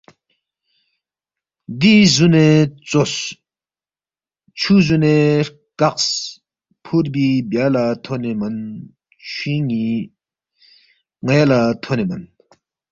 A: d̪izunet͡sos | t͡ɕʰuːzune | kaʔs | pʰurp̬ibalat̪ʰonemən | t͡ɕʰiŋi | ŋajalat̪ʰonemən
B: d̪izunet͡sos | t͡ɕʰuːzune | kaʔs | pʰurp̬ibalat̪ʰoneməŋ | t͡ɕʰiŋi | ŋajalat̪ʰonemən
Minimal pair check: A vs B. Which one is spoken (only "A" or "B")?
A